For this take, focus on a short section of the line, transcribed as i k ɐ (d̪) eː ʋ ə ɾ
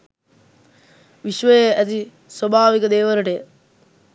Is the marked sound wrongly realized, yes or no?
no